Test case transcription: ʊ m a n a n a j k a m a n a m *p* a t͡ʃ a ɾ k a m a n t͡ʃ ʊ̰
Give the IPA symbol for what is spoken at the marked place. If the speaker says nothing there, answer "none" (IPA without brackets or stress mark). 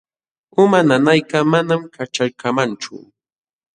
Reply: k